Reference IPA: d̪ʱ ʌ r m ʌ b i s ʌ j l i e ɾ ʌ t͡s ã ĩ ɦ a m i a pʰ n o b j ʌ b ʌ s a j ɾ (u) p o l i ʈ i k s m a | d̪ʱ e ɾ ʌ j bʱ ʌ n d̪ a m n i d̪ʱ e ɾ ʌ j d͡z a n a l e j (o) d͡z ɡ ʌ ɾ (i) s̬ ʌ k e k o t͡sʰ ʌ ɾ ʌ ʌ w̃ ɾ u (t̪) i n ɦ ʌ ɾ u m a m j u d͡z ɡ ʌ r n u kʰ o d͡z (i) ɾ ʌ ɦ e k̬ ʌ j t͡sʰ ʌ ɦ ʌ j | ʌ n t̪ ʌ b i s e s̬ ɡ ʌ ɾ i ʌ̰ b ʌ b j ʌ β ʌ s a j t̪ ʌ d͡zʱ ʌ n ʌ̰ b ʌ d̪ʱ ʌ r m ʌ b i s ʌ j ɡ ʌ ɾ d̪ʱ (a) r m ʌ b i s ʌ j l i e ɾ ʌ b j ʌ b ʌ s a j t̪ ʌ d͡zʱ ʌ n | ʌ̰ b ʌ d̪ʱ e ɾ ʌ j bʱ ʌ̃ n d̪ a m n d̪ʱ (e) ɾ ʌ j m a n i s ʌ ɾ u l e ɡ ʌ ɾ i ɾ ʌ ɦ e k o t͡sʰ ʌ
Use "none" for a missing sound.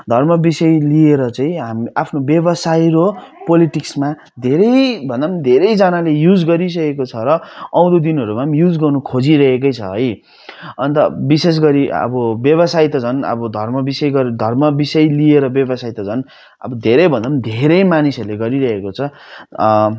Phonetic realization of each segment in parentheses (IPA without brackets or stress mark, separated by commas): o, u, i, d̪, i, ʌ, e